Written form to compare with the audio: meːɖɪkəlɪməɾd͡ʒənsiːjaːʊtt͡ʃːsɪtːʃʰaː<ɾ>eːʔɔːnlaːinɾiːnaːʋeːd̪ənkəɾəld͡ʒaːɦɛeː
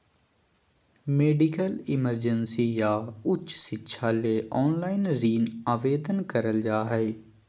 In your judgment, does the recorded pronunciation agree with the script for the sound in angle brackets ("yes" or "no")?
no